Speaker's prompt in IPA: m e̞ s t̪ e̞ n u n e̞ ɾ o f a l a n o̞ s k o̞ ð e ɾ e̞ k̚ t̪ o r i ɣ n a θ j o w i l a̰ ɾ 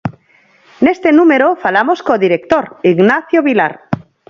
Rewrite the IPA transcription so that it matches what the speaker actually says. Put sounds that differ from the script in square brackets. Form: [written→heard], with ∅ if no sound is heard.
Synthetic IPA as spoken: [m→n] e̞ s t̪ e̞ n u [n→m] e̞ ɾ o f a l a [n→m] o̞ s k o̞ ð [e→i] ɾ e̞ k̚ t̪ o [r→ɾ] i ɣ n a θ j o [w→β] i l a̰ ɾ